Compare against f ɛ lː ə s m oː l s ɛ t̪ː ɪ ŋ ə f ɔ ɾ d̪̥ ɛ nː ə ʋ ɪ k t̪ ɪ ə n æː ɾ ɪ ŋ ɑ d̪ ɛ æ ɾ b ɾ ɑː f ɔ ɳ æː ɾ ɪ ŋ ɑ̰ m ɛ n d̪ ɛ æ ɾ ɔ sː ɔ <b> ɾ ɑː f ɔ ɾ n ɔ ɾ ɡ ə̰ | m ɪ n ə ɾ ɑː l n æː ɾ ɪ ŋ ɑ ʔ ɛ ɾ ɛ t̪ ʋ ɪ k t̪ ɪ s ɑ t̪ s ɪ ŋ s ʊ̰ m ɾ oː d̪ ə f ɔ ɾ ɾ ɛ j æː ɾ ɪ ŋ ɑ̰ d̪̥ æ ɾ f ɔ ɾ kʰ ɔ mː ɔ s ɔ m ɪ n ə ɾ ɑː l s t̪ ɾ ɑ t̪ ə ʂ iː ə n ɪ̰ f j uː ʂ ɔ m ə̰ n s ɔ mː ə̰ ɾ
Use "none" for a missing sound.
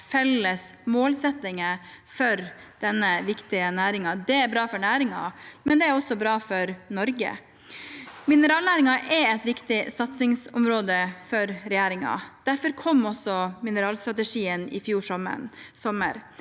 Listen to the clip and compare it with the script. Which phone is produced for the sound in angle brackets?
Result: b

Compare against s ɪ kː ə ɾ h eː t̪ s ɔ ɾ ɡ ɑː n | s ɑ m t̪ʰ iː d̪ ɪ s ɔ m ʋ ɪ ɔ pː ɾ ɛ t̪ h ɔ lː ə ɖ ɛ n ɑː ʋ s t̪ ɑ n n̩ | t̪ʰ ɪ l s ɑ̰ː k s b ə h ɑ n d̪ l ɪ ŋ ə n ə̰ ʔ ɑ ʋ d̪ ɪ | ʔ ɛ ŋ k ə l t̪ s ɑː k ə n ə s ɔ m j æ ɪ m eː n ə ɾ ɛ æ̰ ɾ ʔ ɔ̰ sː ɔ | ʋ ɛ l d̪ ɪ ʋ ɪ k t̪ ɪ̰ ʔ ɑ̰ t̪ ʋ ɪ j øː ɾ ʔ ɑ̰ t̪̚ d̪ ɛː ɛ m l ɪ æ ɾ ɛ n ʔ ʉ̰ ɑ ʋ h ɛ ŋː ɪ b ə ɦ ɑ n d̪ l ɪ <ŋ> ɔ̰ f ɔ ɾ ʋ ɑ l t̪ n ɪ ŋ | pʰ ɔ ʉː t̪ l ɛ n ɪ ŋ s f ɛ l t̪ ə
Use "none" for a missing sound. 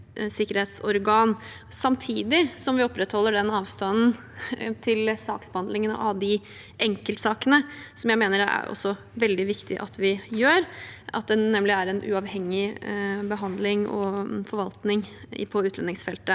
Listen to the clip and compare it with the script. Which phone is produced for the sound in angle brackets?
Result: ŋ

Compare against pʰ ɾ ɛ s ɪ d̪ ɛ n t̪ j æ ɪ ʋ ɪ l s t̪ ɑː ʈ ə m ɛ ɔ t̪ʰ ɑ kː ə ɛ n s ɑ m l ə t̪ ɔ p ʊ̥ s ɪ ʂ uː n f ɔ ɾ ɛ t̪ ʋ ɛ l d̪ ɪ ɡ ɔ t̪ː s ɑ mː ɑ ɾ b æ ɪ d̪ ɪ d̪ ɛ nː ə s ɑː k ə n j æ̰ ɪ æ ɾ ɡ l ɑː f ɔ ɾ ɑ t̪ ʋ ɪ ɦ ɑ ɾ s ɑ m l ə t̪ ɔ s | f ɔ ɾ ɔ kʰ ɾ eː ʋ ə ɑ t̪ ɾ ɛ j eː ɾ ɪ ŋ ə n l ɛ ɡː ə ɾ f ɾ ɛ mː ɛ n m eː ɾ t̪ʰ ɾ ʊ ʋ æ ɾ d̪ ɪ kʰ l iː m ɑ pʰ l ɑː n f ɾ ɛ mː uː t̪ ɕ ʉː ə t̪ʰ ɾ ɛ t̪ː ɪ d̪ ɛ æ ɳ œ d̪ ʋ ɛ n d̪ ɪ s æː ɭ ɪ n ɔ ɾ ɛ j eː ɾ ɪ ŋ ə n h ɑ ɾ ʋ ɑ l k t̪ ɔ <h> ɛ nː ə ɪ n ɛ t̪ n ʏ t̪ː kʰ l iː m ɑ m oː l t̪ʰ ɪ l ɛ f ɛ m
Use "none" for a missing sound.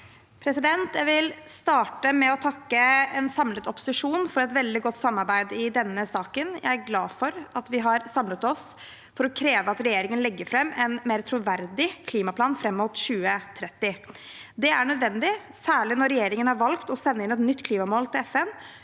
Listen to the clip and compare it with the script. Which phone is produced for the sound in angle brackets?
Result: s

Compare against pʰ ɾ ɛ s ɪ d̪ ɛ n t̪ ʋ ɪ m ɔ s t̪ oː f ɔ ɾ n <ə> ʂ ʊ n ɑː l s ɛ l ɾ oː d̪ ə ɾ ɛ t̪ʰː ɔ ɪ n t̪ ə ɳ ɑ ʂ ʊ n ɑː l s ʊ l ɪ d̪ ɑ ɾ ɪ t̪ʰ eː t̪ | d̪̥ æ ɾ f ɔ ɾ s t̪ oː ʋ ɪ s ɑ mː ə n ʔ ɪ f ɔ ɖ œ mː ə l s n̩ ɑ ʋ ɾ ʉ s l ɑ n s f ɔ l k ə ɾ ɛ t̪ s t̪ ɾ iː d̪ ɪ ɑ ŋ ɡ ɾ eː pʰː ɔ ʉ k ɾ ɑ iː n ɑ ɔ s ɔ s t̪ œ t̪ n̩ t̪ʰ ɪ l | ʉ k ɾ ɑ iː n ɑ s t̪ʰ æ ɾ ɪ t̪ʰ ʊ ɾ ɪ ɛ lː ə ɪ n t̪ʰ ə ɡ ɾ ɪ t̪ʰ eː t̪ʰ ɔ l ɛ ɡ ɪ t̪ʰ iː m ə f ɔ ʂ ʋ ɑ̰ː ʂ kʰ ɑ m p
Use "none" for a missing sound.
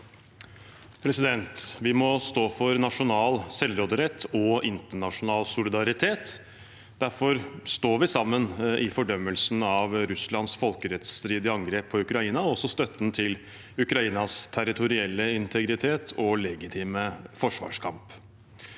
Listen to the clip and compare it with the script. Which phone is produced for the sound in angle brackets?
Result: ɑ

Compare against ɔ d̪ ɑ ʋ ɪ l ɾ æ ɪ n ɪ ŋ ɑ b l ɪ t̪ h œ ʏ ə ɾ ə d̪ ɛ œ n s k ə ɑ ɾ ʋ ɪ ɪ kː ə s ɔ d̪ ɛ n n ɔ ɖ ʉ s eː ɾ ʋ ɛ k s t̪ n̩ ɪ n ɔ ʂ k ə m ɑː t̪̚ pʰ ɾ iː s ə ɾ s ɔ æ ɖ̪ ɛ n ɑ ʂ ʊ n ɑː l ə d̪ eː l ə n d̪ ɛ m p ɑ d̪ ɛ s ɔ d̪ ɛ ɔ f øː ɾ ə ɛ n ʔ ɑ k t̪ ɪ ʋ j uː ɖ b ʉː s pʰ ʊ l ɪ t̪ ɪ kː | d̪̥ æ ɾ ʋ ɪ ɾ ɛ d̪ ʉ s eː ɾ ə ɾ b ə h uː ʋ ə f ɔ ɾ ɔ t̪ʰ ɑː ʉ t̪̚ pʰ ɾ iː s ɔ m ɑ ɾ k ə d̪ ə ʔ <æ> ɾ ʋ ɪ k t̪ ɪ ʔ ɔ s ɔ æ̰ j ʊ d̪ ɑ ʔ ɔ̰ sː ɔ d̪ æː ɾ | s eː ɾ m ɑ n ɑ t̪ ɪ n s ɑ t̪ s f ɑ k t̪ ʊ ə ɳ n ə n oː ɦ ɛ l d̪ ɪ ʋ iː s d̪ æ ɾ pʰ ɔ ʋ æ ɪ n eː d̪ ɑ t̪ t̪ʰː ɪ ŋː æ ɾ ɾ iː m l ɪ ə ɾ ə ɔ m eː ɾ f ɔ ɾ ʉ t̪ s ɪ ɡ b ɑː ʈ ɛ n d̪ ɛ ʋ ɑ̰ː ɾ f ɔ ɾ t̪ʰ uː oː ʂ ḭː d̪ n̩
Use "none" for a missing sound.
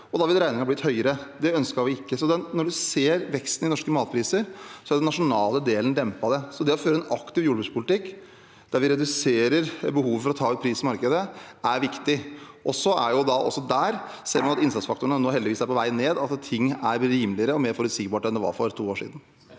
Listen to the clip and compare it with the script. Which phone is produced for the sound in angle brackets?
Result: æ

